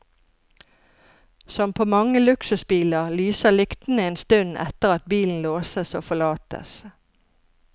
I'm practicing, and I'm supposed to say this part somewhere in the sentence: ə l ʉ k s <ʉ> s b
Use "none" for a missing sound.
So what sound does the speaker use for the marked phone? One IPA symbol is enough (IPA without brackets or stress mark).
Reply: ʉ